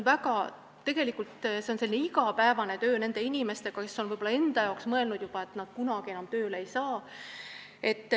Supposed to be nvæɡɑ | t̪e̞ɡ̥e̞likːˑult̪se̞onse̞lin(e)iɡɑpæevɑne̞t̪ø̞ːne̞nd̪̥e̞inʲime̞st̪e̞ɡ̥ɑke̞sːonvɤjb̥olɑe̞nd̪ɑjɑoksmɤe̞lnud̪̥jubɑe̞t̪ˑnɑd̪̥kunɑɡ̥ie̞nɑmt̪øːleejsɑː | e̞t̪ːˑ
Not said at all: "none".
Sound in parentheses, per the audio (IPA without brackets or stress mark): e